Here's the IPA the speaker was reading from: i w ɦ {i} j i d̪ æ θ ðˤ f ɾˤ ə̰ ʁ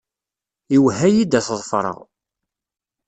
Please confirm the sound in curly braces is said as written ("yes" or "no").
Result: no